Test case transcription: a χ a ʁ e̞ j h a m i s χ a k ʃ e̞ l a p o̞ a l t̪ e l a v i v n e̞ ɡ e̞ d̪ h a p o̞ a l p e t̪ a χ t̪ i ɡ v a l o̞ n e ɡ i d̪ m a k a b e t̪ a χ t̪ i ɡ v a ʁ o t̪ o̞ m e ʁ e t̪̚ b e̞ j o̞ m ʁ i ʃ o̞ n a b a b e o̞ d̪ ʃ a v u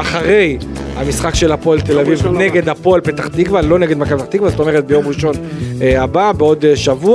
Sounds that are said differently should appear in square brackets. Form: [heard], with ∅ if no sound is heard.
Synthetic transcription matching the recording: a χ a ʁ e̞ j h a m i s χ a k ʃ e̞ l a p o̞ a l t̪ e l a v i v n e̞ ɡ e̞ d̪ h a p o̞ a l p e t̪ a χ t̪ i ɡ v a l o̞ n e ɡ [e] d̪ m a k a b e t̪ a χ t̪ i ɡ v a [z] o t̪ o̞ m e ʁ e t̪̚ b e̞ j o̞ m ʁ i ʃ o̞ n a b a b e o̞ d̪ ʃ a v u